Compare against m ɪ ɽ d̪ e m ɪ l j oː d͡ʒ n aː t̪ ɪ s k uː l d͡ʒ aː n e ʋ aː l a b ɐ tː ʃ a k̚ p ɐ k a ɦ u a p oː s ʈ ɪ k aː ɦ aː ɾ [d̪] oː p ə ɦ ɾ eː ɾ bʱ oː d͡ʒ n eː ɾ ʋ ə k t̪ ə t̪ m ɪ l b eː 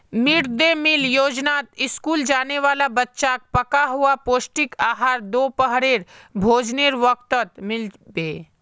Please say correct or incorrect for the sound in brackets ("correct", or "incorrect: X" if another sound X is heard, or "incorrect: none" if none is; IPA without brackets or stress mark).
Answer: correct